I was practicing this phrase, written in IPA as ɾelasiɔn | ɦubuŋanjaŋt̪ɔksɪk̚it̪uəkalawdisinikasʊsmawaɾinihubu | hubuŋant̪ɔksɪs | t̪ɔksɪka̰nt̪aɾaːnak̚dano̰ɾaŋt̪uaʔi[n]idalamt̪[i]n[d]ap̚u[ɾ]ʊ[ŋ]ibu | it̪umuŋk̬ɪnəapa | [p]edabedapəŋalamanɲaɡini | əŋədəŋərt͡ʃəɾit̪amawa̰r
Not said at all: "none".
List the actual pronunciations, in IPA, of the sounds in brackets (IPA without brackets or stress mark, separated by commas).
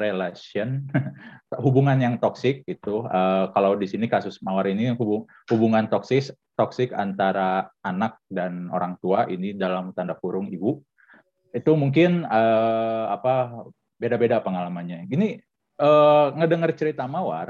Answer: n, a, d, ɾ, ŋ, b